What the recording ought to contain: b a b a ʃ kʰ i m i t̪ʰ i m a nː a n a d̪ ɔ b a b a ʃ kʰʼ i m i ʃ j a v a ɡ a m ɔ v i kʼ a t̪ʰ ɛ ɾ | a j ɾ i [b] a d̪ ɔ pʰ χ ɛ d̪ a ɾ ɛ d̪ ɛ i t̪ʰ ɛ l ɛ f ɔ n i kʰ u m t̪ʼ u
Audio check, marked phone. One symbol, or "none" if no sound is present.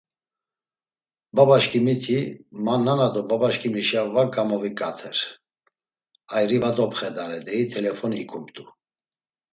v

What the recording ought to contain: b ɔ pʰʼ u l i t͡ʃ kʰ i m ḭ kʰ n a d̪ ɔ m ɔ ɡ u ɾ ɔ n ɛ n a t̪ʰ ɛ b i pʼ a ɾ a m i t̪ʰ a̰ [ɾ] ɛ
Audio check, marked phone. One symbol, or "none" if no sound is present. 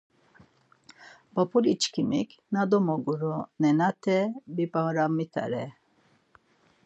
ɾ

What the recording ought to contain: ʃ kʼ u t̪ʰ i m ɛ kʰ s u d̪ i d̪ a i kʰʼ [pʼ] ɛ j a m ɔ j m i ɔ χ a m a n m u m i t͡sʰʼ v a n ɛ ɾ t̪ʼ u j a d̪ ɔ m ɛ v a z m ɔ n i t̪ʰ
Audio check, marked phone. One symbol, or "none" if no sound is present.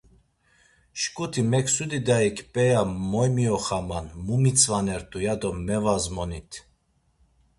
pʼ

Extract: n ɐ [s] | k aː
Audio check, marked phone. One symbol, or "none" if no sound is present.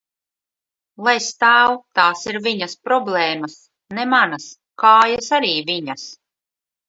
s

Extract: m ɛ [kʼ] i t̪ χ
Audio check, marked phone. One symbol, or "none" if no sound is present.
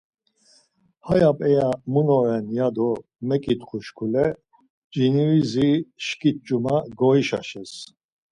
kʼ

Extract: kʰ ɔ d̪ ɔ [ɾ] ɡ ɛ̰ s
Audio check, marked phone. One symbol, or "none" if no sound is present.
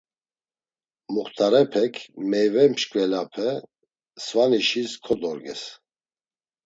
ɾ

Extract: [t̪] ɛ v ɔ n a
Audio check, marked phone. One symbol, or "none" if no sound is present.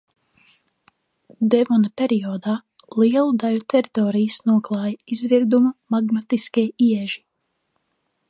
d̪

